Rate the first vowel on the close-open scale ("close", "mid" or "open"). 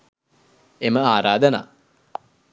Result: mid